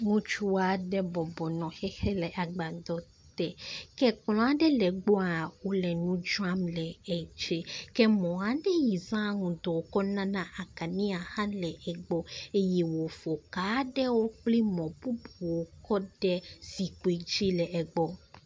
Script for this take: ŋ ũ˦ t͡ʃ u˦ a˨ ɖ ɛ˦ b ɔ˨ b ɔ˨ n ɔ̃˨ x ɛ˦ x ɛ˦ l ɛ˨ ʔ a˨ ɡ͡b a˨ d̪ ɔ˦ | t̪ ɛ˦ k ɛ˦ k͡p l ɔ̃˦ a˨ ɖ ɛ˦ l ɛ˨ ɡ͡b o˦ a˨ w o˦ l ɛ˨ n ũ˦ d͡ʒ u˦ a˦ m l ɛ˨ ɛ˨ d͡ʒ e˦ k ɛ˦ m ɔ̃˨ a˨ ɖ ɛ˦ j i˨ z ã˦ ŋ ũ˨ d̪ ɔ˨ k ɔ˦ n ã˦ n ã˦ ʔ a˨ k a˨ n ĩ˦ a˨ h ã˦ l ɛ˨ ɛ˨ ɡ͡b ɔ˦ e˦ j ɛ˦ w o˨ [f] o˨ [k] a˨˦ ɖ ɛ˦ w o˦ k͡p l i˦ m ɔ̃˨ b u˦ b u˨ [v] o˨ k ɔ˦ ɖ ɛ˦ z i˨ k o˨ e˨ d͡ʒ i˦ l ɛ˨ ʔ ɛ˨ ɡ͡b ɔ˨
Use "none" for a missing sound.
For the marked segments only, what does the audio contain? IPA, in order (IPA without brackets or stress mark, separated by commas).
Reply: f, k, w